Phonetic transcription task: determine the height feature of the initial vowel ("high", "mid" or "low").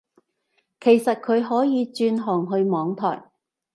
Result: mid